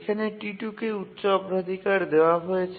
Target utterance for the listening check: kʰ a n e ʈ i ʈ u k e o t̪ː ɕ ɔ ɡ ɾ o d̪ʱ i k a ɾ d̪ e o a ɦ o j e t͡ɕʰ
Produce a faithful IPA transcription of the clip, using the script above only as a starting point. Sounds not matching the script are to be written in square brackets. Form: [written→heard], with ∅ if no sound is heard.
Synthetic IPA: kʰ a n e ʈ i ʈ u k e [o→u] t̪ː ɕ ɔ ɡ ɾ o d̪ʱ i k a ɾ d̪ e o a ɦ o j e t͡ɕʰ